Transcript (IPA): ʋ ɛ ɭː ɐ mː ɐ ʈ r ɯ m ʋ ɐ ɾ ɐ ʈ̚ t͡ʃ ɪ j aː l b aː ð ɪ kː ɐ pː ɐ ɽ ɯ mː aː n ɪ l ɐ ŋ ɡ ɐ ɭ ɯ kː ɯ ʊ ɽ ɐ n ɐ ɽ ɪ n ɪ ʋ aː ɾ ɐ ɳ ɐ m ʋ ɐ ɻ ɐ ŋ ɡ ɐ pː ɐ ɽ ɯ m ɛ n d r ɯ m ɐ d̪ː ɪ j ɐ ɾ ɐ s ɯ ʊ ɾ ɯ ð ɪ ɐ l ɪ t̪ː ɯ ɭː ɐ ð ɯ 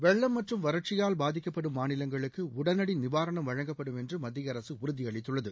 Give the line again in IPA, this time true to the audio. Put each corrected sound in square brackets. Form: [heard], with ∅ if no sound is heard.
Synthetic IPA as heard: ʋ ɛ ɭː ɐ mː ɐ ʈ r ɯ m ʋ ɐ ɾ ɐ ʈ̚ t͡ʃ ɪ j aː l b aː ð ɪ kː ɐ pː ɐ ɽ ɯ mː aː n ɪ l ɐ ŋ ɡ ɐ ɭ ɯ kː ɯ ʊ ɽ ɐ n ɐ ɽ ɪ n ɪ ʋ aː ɾ ɐ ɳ ɐ m ʋ ɐ ɻ ɐ ŋ ɡ ɐ pː ɐ ɽ ɯ m ɛ n d r ɯ m ɐ d̪ː ɪ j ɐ ɾ ɐ s ɯ ʊ ɾ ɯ ð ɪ ɐ [ɭ] ɪ t̪ː ɯ ɭː ɐ ð ɯ